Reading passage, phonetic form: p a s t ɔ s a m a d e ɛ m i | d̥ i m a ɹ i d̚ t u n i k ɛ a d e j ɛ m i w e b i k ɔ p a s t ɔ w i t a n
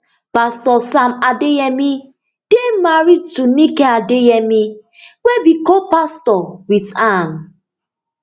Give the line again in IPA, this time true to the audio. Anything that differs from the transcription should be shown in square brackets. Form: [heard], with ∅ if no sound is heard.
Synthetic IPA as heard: p a s t ɔ s a m a d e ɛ m i | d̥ [e] m a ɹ i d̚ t u n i k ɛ a d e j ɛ m i w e b i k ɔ p a s t ɔ w i t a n